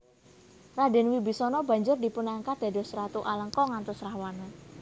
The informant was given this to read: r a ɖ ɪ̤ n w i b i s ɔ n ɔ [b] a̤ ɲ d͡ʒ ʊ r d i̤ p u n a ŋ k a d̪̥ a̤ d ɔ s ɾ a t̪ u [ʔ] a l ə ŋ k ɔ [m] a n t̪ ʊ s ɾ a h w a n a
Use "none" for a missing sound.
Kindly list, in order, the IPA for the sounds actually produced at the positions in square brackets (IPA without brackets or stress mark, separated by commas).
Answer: b, ʔ, ŋ